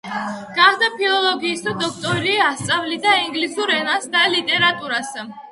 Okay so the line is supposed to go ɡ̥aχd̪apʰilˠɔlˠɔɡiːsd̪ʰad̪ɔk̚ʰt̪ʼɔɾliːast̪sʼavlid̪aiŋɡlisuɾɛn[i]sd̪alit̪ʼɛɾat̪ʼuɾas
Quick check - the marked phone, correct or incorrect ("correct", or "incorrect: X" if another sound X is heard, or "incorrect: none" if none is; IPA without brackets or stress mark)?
incorrect: a